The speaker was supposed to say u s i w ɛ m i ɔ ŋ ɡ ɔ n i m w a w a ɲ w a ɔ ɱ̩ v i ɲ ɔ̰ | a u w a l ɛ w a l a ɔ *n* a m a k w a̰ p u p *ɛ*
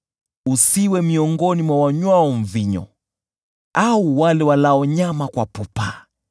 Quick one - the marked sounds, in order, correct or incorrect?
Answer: incorrect: ɲ, incorrect: a

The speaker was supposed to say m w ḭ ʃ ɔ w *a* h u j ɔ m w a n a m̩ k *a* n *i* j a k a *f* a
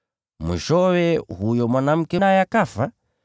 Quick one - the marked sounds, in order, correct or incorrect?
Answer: incorrect: ɛ, incorrect: ɛ, incorrect: a, correct

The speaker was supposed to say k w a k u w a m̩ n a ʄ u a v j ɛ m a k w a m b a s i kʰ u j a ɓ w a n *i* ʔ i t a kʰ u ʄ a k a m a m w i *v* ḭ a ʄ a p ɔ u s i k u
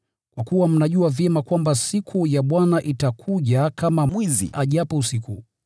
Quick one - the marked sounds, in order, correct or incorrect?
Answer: incorrect: a, incorrect: z

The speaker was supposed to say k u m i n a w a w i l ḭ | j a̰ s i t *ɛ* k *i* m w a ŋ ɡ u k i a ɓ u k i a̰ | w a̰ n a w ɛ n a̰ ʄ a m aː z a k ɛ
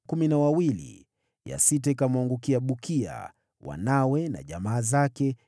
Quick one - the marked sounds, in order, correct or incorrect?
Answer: correct, incorrect: a

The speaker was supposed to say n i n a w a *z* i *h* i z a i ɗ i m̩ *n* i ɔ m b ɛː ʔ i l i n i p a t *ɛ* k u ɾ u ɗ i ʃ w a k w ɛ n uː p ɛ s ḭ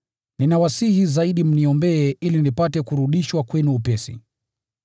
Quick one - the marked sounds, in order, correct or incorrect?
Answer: incorrect: s, correct, correct, correct

